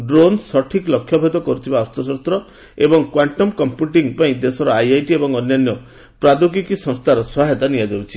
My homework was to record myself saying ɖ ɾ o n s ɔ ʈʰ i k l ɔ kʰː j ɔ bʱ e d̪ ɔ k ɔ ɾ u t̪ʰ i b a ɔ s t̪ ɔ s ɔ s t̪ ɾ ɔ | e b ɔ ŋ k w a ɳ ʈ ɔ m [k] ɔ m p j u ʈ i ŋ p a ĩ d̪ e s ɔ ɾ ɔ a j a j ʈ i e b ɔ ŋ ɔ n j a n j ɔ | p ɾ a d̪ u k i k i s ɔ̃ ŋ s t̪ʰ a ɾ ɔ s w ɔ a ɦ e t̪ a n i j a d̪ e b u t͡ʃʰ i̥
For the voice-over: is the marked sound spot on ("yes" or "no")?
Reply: yes